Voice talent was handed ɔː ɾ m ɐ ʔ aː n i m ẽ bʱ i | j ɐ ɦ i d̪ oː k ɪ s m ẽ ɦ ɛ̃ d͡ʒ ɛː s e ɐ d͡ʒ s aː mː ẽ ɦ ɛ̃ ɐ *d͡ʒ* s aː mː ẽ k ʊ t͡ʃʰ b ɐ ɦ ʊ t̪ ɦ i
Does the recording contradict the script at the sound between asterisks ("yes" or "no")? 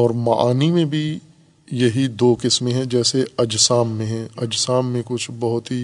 no